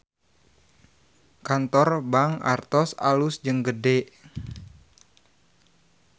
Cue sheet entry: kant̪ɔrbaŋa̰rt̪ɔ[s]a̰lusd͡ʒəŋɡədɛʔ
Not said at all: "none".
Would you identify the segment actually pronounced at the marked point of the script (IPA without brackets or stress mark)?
s